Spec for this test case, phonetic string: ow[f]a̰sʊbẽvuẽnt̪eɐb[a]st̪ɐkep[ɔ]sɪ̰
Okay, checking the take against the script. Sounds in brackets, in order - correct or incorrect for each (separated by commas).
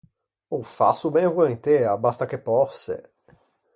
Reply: correct, correct, correct